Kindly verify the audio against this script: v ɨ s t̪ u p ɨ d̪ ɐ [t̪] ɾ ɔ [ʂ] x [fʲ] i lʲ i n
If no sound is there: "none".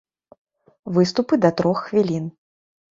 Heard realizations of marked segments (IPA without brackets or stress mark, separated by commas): t̪, x, vʲ